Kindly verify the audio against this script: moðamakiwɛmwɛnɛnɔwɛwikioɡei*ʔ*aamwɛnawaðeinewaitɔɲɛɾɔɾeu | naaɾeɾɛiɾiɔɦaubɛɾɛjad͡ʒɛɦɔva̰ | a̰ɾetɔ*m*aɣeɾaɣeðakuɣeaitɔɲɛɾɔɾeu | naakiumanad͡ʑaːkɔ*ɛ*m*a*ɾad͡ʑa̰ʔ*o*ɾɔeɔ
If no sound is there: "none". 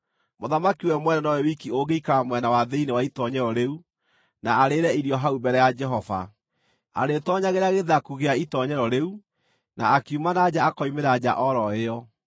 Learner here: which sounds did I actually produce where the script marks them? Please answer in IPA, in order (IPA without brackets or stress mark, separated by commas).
k, ɲ, i, e, ɔ